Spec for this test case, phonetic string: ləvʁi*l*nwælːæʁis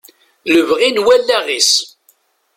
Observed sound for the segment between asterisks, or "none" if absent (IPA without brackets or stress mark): none